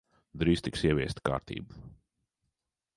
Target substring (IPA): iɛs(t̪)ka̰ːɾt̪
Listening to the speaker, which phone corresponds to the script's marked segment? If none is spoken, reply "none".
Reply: t̪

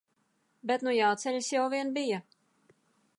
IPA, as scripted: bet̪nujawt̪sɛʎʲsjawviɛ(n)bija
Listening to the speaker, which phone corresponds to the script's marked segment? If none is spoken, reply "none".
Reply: n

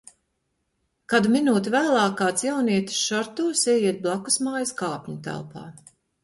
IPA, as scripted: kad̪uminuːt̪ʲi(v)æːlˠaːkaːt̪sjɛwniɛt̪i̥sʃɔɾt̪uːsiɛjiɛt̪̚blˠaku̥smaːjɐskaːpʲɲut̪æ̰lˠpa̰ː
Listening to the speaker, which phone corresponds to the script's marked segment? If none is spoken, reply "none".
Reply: v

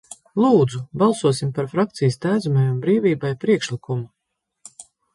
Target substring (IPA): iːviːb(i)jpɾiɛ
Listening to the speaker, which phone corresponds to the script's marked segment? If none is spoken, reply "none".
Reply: a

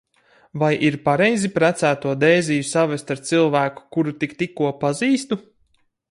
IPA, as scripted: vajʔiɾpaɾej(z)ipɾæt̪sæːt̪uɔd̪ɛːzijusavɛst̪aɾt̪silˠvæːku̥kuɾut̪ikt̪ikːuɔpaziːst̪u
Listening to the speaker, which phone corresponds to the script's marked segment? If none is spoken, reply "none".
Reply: z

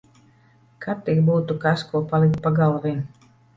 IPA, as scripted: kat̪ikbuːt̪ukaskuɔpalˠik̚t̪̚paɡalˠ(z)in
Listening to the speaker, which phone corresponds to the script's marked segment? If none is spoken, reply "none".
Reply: v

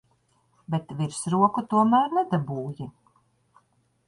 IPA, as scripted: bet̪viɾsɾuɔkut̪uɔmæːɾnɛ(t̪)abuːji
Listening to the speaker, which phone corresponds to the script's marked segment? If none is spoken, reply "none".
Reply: d̪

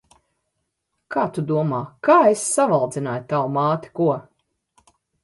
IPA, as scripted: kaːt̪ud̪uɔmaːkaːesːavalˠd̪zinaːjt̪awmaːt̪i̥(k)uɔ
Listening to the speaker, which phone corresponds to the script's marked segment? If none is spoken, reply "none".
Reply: k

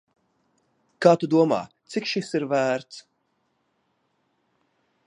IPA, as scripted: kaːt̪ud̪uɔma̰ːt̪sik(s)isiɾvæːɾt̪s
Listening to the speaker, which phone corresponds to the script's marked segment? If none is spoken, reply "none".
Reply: ʃ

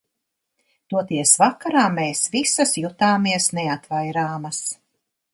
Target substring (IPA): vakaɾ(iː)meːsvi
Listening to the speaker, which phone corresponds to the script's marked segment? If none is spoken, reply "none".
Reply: aː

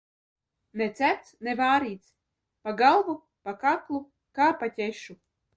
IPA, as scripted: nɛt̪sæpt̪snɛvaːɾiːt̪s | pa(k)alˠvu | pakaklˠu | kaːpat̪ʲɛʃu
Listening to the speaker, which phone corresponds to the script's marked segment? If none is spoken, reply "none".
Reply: ɡ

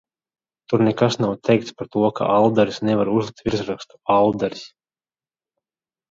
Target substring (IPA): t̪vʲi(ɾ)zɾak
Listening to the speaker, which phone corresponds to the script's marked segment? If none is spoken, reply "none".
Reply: ɾ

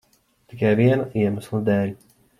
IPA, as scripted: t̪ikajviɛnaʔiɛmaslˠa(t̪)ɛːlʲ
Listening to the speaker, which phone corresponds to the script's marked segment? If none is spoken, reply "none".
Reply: d̪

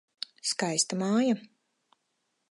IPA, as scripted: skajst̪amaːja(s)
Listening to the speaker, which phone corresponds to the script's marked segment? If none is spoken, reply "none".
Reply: none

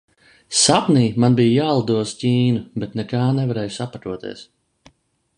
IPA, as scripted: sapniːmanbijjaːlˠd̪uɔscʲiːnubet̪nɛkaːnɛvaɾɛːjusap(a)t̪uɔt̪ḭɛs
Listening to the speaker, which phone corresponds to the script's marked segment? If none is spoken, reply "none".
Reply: a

